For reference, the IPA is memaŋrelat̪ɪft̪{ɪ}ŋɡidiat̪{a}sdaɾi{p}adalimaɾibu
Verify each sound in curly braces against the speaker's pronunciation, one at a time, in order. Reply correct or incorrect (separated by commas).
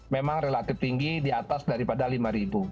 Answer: incorrect, correct, correct